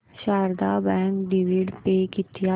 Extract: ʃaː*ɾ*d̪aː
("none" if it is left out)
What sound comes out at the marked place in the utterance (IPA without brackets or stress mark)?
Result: ɾ